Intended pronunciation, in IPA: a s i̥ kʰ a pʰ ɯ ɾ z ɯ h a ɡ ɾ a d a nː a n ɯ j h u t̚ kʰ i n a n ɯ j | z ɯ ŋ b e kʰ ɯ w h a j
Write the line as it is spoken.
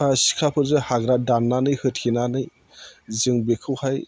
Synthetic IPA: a s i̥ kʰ a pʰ ɯ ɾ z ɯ h a ɡ ɾ a d a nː a n ɯ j h ɯ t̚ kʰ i n a n ɯ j | z ɯ ŋ b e kʰ ɯ w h a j